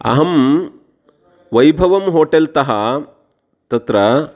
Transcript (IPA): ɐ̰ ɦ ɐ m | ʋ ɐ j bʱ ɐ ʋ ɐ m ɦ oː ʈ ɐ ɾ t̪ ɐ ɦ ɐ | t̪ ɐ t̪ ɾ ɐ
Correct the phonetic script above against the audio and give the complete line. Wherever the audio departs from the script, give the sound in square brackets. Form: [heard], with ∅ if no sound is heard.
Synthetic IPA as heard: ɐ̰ ɦ ɐ m | ʋ ɐ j bʱ ɐ ʋ ɐ m ɦ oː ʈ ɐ [l] t̪ ɐ ɦ ɐ | t̪ ɐ t̪ ɾ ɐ